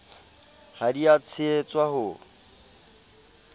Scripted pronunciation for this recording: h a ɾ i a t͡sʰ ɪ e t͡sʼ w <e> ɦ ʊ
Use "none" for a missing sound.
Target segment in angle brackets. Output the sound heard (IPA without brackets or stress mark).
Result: a